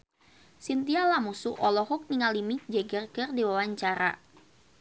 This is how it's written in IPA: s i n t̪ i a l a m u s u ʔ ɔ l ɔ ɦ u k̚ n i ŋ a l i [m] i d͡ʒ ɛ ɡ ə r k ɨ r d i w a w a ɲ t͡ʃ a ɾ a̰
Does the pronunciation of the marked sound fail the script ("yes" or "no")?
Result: no